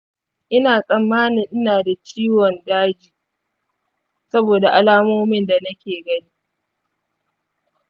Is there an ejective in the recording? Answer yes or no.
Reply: yes